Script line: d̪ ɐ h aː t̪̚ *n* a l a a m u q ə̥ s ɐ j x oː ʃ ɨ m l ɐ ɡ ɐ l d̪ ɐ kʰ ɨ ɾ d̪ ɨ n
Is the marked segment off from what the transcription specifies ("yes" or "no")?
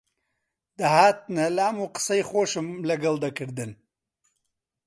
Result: no